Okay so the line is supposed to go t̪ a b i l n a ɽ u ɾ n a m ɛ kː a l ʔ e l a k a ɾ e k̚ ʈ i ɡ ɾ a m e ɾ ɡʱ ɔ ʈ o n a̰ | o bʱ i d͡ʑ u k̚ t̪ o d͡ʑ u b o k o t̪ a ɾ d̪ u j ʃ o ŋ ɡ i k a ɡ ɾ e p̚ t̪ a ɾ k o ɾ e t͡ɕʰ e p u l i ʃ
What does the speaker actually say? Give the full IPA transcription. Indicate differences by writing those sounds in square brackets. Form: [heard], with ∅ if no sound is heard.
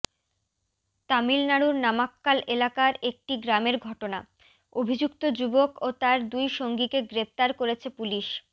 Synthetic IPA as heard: t̪ a [m] i l n a ɽ u ɾ n a m [a] kː a l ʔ e l a k a ɾ e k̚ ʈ i ɡ ɾ a m e ɾ ɡʱ ɔ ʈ o n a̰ | o bʱ i d͡ʑ u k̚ t̪ o d͡ʑ u b o k o t̪ a ɾ d̪ u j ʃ o ŋ ɡ i k [e] ɡ ɾ e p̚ t̪ a ɾ k o ɾ e t͡ɕʰ e p u l i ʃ